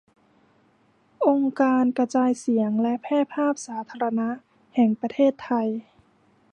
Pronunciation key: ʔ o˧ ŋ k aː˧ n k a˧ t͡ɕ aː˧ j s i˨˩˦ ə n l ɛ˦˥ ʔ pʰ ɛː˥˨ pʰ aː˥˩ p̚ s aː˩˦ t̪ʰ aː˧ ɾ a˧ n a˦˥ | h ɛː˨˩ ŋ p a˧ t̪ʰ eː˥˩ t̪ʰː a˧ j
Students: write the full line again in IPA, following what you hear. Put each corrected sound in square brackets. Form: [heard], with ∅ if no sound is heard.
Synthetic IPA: ʔ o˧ ŋ k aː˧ n k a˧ t͡ɕ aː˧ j s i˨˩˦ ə [ŋ] l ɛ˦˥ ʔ pʰ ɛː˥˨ pʰ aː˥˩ p̚ s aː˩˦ t̪ʰ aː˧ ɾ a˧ n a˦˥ | h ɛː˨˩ ŋ p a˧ t̪ʰ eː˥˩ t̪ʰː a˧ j